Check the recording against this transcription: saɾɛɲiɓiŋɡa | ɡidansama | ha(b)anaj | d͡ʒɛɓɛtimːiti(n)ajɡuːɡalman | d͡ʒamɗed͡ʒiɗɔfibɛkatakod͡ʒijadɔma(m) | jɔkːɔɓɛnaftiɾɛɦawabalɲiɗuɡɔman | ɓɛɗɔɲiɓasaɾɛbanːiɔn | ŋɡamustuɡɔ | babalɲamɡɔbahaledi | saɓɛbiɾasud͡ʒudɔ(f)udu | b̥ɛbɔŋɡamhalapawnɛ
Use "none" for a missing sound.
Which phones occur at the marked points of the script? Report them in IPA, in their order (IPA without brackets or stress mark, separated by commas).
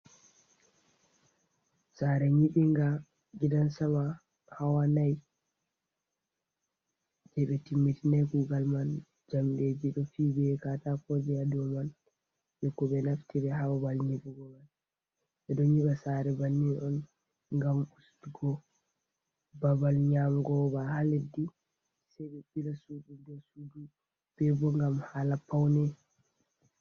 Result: w, n, n, s